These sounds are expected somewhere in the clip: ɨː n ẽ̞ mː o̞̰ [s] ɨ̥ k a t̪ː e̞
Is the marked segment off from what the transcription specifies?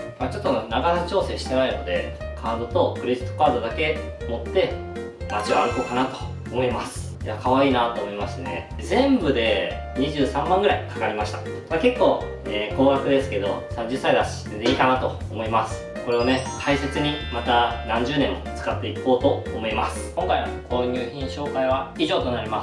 yes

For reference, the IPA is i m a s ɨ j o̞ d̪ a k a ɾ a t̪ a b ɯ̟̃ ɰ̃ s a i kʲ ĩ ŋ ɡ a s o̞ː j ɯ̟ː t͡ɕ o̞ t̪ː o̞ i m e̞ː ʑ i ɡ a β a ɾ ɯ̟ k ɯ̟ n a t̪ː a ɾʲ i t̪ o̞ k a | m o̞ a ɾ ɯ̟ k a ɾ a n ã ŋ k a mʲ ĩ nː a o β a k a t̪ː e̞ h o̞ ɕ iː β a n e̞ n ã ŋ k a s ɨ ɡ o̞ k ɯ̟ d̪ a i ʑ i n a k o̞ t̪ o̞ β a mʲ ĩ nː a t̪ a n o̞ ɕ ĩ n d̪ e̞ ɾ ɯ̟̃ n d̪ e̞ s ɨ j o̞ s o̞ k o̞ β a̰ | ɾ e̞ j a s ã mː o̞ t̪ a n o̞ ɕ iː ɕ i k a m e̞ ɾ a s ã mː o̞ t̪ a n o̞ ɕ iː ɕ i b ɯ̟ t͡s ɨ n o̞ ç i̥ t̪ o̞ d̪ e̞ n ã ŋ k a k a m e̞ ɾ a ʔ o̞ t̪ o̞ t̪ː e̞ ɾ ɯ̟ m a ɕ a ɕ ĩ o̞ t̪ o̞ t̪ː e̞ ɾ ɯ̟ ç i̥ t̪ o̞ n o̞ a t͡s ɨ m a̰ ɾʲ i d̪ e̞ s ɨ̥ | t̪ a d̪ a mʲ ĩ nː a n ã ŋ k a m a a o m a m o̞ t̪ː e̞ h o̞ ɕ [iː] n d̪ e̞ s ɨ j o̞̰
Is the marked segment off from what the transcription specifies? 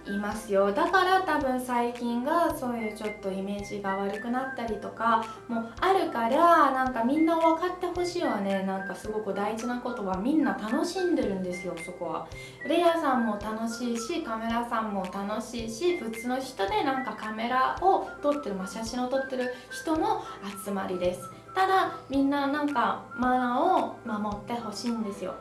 no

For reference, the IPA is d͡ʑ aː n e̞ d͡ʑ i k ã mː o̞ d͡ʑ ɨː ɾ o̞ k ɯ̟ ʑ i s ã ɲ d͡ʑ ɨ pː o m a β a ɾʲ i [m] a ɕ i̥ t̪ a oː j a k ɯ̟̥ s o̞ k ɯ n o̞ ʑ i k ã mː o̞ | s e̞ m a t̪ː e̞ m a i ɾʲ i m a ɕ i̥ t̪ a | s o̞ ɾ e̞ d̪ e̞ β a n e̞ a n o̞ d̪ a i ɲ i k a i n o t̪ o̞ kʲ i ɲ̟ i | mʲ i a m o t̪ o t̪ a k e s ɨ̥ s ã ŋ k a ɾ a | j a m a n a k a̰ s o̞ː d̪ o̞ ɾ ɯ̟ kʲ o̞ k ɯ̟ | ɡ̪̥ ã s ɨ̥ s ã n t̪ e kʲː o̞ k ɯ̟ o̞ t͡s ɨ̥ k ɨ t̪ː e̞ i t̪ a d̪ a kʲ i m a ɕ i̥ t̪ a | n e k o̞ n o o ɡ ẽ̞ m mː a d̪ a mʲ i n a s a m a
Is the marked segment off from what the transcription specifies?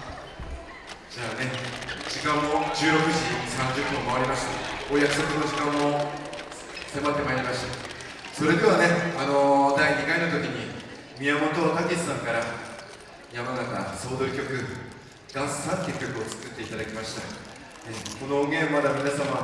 no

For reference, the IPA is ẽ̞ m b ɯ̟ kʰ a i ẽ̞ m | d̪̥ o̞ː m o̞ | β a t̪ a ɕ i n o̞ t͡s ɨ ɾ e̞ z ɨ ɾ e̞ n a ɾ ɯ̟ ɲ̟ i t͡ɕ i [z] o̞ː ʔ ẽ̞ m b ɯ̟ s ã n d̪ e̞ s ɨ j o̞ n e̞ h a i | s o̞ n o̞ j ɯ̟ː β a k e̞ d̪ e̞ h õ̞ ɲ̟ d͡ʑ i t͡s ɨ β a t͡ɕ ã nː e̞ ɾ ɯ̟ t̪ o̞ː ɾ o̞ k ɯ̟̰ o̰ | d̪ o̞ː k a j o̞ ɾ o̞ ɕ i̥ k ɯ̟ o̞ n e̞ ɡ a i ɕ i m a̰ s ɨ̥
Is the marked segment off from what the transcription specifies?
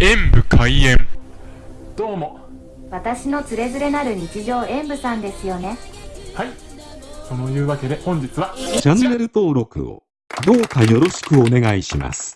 yes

